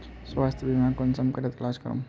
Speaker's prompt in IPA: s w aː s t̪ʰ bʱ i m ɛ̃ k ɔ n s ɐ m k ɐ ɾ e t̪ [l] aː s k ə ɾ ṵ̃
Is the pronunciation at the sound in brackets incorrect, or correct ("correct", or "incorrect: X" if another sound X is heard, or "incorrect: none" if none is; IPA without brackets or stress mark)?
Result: correct